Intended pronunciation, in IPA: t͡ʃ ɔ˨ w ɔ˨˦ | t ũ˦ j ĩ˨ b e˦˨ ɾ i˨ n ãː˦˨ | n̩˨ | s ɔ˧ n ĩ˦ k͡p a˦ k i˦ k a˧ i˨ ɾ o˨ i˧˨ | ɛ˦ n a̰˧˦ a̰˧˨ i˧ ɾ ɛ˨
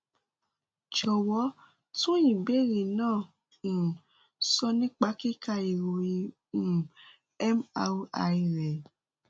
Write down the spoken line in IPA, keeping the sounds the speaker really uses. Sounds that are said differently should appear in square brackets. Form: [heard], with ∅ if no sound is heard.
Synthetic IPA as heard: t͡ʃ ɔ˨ w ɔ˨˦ | t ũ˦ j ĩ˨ b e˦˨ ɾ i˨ n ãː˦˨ | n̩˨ | s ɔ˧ n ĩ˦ k͡p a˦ k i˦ k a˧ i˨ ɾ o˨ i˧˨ | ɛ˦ [m] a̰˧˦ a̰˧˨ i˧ ɾ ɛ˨